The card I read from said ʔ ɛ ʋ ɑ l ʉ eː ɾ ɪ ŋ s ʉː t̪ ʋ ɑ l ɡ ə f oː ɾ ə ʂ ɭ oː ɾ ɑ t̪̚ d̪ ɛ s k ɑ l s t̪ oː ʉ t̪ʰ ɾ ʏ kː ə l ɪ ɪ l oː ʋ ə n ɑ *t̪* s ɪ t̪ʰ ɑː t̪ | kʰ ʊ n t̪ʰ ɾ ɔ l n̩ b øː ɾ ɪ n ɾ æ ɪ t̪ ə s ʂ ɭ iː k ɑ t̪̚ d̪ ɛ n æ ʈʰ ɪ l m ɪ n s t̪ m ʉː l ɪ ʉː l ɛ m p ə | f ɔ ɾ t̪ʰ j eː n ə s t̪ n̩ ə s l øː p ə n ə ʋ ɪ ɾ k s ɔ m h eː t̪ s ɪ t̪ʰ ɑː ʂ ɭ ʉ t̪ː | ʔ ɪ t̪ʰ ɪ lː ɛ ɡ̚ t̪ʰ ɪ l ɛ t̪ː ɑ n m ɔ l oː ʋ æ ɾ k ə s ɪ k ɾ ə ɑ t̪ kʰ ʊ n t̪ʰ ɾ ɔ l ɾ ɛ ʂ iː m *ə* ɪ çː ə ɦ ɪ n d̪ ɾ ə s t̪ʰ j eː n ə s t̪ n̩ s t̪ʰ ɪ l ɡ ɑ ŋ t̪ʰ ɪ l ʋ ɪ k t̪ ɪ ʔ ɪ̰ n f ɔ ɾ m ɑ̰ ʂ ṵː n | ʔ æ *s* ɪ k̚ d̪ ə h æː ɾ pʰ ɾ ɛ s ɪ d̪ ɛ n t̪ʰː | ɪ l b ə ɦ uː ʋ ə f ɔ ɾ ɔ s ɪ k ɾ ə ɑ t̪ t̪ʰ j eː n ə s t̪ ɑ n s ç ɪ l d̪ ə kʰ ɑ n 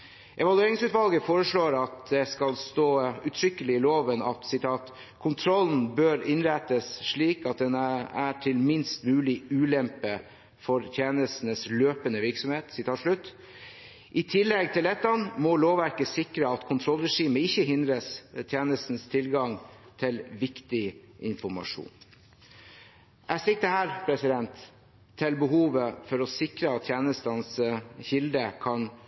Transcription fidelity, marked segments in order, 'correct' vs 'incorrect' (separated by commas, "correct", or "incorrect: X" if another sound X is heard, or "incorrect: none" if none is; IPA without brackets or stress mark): correct, correct, correct